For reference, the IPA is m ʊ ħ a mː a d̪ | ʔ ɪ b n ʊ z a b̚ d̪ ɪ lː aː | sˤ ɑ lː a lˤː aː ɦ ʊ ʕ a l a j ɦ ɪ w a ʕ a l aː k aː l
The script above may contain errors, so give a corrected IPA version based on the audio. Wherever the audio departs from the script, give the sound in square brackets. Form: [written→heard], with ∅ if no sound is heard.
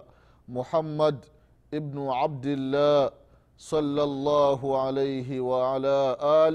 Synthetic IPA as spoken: m ʊ ħ a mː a d̪ | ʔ ɪ b n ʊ [z→ʕ] a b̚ d̪ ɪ lː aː | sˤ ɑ lː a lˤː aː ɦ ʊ ʕ a l a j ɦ ɪ w a ʕ a l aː [k→ʔ] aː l